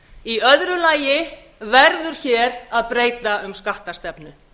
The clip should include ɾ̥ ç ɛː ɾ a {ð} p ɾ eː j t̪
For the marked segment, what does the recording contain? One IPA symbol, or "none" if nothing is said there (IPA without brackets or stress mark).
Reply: ð